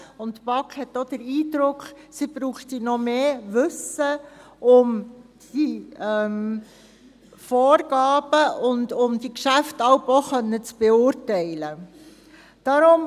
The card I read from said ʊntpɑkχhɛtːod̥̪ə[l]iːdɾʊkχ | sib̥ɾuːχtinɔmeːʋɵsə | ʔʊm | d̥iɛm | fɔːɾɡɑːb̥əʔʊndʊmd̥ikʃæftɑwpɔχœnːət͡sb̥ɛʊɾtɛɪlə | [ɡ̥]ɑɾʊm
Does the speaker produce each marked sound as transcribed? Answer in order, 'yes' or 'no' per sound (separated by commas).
no, no